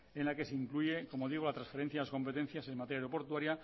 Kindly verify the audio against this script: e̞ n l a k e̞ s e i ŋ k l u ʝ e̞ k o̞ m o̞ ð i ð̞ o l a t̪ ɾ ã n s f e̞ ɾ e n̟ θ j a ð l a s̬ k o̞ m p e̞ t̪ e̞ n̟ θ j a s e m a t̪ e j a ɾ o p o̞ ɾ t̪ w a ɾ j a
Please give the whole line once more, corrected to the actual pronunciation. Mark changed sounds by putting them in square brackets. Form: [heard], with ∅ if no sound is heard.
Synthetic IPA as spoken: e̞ n l a k e̞ s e i ŋ k l u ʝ e̞ k o̞ m o̞ ð i [ɣ̞] o l a t̪ ɾ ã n s f e̞ ɾ e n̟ θ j a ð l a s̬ k o̞ m p e̞ t̪ e̞ n̟ θ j a s e m a t̪ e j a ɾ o p o̞ ɾ t̪ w a ɾ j a

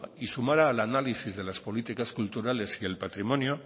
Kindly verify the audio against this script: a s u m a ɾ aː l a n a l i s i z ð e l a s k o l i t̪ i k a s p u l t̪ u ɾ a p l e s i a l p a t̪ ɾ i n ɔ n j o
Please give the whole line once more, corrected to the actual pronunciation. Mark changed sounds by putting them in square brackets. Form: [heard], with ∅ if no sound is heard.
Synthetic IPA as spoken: [i] s u m a ɾ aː l a n a l i s i z ð e l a s [p] o l i t̪ i k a s [k] u l t̪ u ɾ a [∅] l e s i [e] l p a t̪ ɾ i [m] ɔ n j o

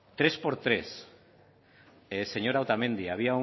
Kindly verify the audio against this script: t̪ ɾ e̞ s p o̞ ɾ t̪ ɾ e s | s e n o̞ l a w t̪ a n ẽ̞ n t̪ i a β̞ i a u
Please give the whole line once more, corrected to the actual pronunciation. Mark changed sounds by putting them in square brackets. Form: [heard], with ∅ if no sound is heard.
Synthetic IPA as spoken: t̪ ɾ e̞ s p o̞ ɾ t̪ ɾ e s | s e [ɲ] o̞ [ɾ] a w t̪ a [m] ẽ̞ n [d̪] i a β̞ i a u

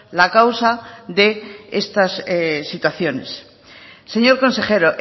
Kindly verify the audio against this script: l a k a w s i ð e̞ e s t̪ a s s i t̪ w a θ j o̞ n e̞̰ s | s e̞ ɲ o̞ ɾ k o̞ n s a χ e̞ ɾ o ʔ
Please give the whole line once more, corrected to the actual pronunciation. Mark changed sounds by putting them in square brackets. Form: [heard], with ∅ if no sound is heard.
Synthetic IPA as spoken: l a k a w s [a] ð e̞ e s t̪ a s s i t̪ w a θ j o̞ n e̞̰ s | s e̞ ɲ o̞ ɾ k o̞ n s [e] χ e̞ ɾ o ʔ

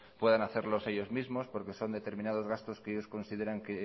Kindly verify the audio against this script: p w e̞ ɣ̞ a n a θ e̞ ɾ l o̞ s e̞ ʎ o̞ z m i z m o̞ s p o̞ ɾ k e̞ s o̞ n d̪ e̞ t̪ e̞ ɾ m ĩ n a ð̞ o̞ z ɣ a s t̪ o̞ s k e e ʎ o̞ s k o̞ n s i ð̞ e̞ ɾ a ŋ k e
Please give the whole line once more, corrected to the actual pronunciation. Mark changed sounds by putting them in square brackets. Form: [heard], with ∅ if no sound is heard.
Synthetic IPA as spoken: p w e̞ [ð̞] a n a θ e̞ ɾ l o̞ s e̞ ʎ o̞ z m i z m o̞ s p o̞ ɾ k e̞ s o̞ n d̪ e̞ t̪ e̞ ɾ m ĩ n a ð̞ o̞ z ɣ a s t̪ o̞ s k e e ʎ o̞ s k o̞ n s i ð̞ e̞ ɾ a ŋ k e

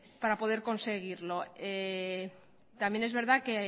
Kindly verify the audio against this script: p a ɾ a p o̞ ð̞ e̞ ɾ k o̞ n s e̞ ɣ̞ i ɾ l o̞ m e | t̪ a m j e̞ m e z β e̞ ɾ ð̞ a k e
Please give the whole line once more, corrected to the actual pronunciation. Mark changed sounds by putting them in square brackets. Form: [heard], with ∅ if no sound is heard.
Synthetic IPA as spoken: p a ɾ a p o̞ ð̞ e̞ ɾ k o̞ n s e̞ ɣ̞ i ɾ l o̞ [∅] e | t̪ a m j e̞ [n] e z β e̞ ɾ ð̞ a k e

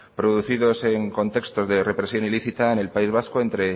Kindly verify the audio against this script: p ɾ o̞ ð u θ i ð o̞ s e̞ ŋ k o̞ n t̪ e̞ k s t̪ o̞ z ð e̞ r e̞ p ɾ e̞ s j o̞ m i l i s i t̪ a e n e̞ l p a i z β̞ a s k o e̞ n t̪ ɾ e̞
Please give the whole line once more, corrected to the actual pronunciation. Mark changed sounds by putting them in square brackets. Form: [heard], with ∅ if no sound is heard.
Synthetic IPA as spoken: p ɾ o̞ ð u θ i ð o̞ s e̞ ŋ k o̞ n t̪ e̞ k s t̪ o̞ z ð e̞ r e̞ p ɾ e̞ s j o̞ [n] i l i [θ] i t̪ a e n e̞ l p a i z β̞ a s k o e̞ n t̪ ɾ e̞

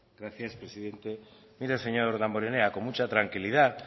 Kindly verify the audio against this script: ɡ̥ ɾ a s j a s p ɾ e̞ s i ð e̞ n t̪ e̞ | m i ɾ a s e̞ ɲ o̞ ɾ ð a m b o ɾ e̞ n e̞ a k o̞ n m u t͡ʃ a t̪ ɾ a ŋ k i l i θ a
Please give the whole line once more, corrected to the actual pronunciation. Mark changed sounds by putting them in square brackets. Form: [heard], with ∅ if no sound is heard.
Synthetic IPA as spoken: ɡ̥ ɾ a [θ] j a s p ɾ e̞ s i ð e̞ n t̪ e̞ | m i ɾ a s e̞ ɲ o̞ ɾ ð a m b o ɾ e̞ n e̞ a k o̞ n m u t͡ʃ a t̪ ɾ a ŋ k i l i [ð] a

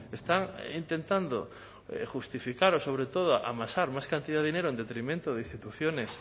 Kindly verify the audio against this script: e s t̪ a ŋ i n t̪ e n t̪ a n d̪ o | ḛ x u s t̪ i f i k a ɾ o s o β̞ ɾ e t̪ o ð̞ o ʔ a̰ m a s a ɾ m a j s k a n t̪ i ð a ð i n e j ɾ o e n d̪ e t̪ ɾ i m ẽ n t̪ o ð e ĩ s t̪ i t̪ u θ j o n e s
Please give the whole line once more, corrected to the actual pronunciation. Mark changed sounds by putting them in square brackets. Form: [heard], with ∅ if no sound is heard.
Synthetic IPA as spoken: e s t̪ a ŋ i n t̪ e n t̪ a n d̪ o | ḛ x u s t̪ i f i k a ɾ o s o β̞ ɾ e t̪ o ð̞ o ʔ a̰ m a s a ɾ m a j s k a n t̪ i ð a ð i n e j ɾ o e n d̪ e t̪ ɾ i m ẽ n t̪ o ð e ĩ s t̪ i t̪ u θ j o n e s

